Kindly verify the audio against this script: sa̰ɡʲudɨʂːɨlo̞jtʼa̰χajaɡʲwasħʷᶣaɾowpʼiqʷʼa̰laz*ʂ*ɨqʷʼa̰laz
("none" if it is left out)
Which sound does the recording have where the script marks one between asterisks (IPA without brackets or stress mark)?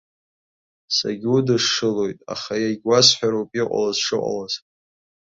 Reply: ʂ